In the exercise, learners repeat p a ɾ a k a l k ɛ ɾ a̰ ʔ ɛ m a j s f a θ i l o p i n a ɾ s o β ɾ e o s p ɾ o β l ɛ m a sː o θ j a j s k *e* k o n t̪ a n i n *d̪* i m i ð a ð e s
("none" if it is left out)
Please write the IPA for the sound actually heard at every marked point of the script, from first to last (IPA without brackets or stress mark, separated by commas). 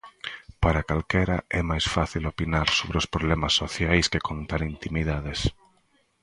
e, t̪